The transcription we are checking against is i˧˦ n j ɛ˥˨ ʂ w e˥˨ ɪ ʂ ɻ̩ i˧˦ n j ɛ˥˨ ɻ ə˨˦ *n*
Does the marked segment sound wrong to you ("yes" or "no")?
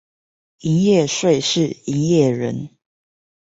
no